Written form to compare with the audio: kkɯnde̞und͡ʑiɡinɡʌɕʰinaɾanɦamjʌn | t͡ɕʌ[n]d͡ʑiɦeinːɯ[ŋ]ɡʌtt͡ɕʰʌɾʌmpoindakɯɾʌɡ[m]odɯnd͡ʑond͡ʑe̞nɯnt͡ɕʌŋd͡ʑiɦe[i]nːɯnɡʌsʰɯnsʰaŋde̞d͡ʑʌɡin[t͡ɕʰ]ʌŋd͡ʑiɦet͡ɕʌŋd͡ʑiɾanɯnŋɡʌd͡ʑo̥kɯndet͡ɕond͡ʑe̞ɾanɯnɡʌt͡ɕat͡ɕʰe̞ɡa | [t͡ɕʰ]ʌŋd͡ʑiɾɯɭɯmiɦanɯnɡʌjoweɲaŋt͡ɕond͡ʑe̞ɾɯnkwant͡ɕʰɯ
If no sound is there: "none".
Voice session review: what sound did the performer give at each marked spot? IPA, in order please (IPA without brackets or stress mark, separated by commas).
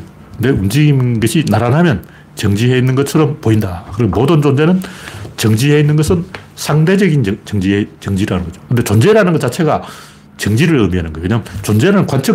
ŋ, n, m, i, t͡ɕ, t͡ɕ